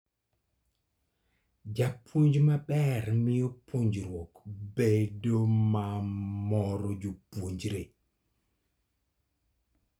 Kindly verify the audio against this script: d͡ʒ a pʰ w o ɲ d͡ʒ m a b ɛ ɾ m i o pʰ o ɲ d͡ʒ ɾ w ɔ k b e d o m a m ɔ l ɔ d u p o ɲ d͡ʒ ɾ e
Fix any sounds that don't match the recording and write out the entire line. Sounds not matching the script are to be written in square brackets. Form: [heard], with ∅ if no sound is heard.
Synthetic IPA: d͡ʒ a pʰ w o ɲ d͡ʒ m a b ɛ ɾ m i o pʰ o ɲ d͡ʒ ɾ w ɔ k b e d o m a m ɔ [ɾ] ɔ [d͡ʒ] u p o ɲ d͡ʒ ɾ e